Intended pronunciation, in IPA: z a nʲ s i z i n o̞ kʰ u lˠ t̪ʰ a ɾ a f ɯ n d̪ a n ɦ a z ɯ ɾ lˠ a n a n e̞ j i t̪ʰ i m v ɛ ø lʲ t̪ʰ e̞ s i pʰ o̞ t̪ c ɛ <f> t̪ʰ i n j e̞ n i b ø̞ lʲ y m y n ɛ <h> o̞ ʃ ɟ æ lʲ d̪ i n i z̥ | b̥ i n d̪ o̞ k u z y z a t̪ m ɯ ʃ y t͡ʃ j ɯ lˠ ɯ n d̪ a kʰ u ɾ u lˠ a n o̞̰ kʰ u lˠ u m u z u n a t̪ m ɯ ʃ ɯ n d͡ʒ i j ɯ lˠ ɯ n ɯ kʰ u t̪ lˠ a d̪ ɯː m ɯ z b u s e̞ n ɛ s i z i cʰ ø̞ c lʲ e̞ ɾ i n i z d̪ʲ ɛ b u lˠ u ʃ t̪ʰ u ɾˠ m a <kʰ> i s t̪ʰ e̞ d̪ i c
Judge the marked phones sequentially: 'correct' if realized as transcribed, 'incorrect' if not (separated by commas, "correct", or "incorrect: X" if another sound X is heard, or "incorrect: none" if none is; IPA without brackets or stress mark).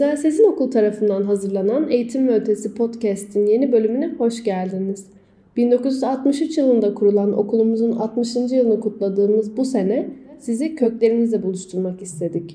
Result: incorrect: s, correct, incorrect: k